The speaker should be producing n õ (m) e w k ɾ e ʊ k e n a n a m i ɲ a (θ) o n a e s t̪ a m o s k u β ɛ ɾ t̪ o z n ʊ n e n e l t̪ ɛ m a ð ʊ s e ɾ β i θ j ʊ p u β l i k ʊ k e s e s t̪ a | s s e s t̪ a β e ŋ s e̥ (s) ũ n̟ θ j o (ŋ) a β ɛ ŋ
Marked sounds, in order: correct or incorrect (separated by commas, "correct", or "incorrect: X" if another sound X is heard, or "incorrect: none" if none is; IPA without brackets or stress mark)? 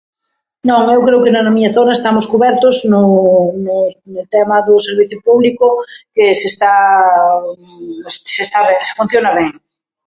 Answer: incorrect: ŋ, correct, incorrect: f, incorrect: n